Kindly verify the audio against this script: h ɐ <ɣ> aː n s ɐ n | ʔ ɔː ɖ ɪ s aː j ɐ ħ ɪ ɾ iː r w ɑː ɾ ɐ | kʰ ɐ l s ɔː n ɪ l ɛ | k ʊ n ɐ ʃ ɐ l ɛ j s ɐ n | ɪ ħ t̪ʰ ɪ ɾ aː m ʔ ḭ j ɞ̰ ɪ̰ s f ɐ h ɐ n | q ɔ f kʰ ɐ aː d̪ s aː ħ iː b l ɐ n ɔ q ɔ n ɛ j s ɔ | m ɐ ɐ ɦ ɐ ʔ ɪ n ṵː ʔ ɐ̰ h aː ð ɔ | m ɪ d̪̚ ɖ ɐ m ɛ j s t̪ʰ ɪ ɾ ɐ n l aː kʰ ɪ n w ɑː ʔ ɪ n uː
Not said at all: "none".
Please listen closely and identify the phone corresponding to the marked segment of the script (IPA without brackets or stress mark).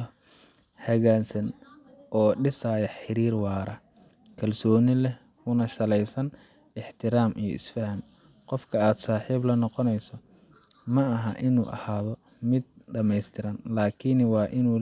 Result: ɣ